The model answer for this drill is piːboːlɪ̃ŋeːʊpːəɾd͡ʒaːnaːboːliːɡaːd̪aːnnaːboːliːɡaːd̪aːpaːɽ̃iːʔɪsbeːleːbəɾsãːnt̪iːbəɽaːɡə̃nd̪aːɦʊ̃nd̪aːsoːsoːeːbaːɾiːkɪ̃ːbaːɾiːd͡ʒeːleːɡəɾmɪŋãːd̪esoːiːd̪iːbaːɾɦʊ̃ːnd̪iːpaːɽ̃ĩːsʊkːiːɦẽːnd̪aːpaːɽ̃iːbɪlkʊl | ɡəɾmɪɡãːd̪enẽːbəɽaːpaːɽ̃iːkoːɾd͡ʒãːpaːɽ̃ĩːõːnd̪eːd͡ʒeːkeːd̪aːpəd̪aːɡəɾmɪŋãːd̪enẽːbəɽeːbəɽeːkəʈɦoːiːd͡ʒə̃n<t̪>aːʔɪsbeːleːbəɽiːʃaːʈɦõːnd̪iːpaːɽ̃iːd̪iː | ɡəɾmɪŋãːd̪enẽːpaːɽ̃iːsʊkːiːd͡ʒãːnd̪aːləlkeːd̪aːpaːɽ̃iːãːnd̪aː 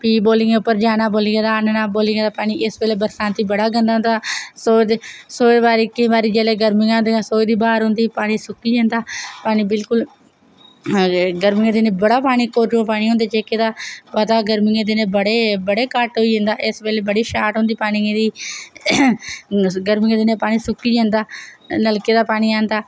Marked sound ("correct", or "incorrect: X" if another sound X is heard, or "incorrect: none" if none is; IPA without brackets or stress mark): incorrect: d̪